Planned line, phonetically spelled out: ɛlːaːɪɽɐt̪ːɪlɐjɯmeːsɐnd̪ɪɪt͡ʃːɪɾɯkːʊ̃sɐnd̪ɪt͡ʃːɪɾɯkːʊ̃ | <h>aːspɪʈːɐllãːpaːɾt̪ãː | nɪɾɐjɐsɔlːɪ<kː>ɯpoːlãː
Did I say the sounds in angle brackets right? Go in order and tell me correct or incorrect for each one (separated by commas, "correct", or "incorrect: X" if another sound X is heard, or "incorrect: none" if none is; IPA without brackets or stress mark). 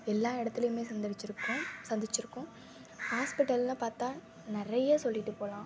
correct, incorrect: ʈː